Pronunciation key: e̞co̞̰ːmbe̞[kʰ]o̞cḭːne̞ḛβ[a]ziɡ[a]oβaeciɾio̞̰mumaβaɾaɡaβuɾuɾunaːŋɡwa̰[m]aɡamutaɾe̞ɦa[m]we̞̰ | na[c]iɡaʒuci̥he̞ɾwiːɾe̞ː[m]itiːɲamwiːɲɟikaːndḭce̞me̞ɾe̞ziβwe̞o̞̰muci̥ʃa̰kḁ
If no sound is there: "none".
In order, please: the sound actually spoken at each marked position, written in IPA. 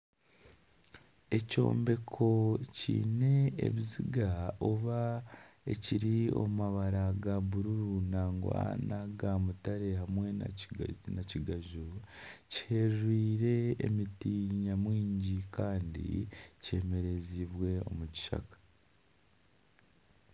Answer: kʰ, i, a, n, m, c, m

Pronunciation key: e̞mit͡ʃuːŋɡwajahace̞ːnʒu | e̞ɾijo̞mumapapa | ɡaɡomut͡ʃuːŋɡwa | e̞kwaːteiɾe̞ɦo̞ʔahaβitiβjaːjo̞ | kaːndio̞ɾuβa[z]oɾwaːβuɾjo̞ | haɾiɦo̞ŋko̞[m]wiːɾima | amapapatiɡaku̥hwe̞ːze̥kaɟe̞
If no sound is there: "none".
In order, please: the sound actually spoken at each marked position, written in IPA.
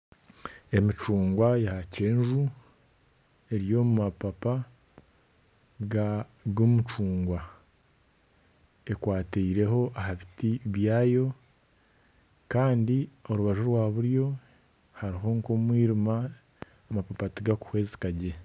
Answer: ʒ, m

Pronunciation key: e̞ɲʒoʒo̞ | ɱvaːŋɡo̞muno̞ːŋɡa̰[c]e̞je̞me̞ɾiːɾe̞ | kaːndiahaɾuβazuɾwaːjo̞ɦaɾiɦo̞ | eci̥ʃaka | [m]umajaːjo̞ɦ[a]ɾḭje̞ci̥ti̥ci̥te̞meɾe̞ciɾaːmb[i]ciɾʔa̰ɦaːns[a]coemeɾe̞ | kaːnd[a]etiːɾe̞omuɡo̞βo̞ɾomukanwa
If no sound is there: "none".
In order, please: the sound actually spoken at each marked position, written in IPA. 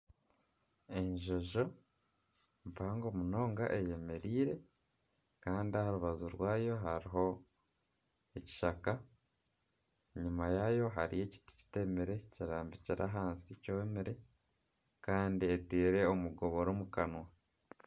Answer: ʔ, ɲ, a, i, i, i

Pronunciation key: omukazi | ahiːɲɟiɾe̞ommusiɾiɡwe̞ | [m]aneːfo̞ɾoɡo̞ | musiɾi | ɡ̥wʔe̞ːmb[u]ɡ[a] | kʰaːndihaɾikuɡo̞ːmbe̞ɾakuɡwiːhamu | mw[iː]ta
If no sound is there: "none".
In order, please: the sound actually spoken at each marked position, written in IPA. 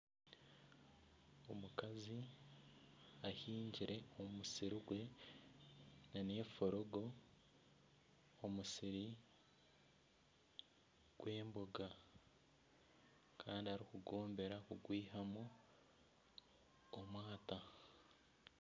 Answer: n, o, a, aː

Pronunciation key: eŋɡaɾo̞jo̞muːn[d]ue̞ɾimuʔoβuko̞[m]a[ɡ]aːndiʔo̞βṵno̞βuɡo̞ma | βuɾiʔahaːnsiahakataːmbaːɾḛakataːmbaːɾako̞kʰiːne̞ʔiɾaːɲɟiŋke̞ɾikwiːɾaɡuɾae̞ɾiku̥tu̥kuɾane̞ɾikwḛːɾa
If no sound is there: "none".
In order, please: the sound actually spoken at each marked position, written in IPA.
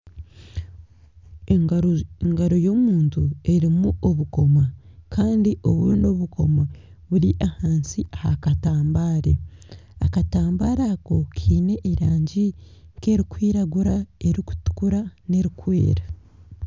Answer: t, m, k

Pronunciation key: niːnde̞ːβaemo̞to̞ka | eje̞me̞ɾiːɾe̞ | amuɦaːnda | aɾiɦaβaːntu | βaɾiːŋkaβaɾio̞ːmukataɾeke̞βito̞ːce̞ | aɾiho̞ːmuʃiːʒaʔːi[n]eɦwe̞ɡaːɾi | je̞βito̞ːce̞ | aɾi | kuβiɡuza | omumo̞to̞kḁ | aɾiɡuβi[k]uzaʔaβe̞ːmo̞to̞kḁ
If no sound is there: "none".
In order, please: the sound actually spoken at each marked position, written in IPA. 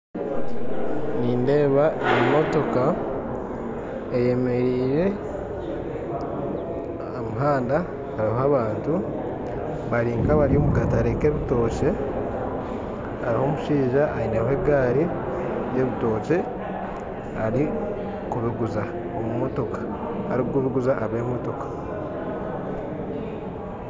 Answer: n, ɡ

